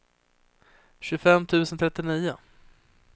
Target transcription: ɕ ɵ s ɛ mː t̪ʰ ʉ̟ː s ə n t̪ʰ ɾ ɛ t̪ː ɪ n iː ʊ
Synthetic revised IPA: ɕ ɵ f ɛ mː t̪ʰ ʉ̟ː s ə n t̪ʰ ɾ ɛ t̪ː ɪ n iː ʊ